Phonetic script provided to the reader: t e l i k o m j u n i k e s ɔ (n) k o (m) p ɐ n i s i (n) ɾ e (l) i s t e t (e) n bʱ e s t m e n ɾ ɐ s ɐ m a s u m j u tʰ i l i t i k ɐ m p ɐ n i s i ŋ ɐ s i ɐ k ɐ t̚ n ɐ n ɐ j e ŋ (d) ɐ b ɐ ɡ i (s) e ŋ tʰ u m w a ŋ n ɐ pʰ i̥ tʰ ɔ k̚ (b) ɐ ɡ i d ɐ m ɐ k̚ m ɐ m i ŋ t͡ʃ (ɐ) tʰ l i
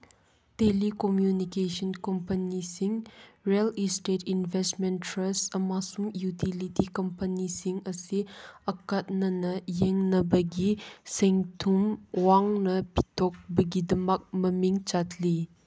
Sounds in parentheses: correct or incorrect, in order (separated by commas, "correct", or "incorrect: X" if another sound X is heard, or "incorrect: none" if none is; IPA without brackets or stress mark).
correct, correct, incorrect: ŋ, correct, incorrect: i, incorrect: n, correct, correct, incorrect: a